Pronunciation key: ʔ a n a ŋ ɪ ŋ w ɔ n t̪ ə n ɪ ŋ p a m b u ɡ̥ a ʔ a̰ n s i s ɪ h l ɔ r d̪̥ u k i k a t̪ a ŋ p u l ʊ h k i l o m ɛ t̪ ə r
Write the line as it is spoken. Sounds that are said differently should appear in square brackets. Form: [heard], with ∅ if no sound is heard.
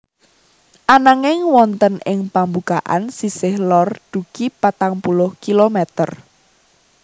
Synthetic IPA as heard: ʔ a n a ŋ ɪ ŋ w ɔ n t̪ ə n ɪ ŋ p a m b u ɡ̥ a ʔ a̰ n s i s ɪ h l ɔ r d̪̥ u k i [p] a t̪ a ŋ p u l ʊ h k i l o m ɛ t̪ ə r